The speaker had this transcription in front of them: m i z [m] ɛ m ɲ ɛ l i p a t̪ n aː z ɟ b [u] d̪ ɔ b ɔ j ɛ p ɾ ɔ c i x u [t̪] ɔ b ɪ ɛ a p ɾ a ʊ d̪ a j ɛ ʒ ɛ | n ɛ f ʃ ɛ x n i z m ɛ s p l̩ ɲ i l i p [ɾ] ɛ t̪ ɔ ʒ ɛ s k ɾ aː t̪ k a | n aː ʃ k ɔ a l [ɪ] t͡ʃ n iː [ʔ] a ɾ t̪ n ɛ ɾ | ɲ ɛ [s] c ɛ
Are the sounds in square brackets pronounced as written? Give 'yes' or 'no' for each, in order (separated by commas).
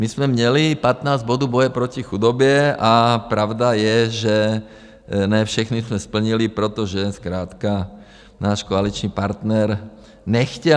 yes, no, no, yes, no, no, no